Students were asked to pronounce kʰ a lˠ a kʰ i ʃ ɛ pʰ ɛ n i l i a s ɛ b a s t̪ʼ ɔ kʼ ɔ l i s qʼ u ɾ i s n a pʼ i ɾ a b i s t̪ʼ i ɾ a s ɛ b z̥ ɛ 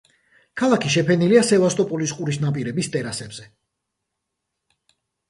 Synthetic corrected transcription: kʰ a lˠ a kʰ i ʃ ɛ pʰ ɛ n i l i a s ɛ v a s t̪ʼ ɔ pʼ ɔ l i s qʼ u ɾ i s n a pʼ i ɾ ɛ b i s t̪ʼ ɛ ɾ a s ɛ b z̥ ɛ